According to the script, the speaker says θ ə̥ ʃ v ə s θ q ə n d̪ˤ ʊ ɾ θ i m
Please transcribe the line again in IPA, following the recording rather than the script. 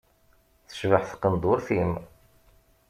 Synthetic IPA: θ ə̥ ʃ v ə ħ θ q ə n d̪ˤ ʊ ɾ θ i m